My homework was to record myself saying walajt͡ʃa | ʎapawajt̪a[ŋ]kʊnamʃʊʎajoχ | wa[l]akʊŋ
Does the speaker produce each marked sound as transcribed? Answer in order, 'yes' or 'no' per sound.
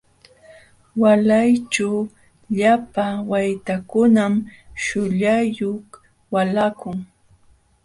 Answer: no, yes

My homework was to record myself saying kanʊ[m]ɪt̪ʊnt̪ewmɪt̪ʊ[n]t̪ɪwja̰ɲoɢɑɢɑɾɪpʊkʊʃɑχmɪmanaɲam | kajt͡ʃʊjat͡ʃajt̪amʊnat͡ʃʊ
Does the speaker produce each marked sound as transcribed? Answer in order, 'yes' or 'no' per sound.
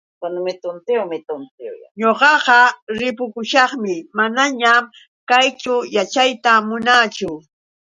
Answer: yes, yes

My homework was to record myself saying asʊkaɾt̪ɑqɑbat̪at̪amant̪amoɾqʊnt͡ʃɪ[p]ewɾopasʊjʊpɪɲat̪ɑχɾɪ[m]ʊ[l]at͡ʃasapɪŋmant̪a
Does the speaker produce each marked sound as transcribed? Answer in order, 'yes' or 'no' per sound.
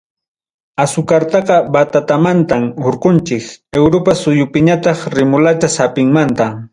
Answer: no, yes, yes

